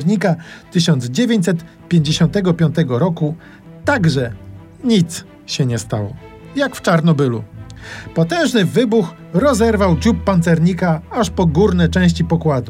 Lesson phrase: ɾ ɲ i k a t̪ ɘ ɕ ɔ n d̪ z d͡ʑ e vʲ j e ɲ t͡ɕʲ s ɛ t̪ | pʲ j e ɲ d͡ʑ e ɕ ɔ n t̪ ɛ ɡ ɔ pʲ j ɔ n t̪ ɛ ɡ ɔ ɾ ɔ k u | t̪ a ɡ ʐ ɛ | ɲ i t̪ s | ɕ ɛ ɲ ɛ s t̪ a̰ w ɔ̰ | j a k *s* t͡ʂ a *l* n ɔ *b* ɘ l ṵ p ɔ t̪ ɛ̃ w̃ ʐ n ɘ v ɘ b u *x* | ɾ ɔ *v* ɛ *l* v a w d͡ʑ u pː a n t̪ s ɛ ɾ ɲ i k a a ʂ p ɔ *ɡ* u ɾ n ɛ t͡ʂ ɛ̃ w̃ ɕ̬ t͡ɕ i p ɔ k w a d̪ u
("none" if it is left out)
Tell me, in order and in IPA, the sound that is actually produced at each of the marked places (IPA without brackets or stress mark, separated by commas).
f, ɾ, b, x, z, ɾ, ɡ